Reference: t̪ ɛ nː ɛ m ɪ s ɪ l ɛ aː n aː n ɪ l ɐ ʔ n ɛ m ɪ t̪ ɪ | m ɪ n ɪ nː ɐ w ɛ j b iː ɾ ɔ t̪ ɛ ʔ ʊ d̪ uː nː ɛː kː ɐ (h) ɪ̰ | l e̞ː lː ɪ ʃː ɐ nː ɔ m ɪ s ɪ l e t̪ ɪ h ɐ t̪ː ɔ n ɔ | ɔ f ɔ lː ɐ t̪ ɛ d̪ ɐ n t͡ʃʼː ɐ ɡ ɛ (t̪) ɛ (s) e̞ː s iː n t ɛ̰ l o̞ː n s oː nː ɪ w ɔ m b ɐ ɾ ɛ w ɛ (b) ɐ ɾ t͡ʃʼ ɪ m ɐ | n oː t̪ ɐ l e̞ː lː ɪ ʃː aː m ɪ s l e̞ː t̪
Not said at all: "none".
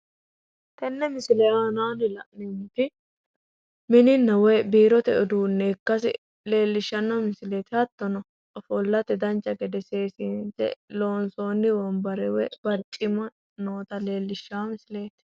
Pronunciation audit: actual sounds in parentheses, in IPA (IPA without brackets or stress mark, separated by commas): s, d̪, s, b